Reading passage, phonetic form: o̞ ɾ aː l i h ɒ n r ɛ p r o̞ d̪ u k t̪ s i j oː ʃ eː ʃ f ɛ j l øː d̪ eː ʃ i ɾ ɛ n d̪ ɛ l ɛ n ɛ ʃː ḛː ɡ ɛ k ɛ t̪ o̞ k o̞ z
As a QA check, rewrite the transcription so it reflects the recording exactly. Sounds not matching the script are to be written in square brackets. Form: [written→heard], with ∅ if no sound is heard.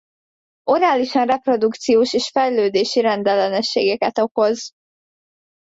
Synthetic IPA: o̞ ɾ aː l i [h→ʃ] ɒ n r ɛ p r o̞ d̪ u k t̪ s i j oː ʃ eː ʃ f ɛ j l øː d̪ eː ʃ i ɾ ɛ n d̪ ɛ l ɛ n ɛ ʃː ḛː ɡ ɛ k ɛ t̪ o̞ k o̞ z